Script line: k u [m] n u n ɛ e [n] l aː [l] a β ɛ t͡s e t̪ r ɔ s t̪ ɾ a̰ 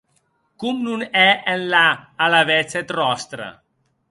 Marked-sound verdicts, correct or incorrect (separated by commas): correct, correct, correct